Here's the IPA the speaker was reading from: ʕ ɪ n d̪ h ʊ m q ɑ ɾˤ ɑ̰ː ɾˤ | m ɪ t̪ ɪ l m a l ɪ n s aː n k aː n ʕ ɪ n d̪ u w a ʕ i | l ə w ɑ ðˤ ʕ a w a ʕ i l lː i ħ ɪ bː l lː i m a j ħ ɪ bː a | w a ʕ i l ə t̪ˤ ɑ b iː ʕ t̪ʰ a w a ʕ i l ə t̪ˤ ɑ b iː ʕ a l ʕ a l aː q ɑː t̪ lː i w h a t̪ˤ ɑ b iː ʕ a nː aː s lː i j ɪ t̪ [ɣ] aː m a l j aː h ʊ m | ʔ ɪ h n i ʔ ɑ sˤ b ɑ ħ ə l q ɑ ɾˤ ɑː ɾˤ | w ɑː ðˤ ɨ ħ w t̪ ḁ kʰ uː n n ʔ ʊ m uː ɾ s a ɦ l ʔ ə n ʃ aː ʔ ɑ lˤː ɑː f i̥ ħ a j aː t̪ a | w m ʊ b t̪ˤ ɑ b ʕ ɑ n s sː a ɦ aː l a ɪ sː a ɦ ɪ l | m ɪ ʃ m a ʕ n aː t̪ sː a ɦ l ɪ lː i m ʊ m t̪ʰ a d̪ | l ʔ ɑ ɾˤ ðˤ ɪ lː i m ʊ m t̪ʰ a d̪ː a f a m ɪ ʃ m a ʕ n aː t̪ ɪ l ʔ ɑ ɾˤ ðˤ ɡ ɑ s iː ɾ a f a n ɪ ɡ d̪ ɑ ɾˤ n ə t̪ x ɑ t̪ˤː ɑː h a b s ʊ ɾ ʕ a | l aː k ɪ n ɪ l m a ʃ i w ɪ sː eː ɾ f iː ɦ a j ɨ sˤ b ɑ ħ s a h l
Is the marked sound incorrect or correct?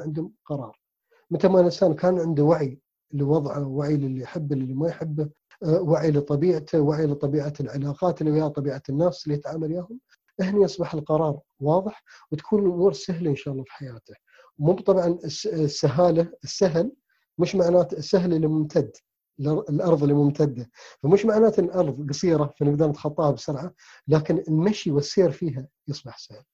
incorrect